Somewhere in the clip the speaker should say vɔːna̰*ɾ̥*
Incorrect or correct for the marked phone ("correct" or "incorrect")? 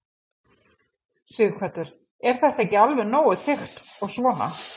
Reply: incorrect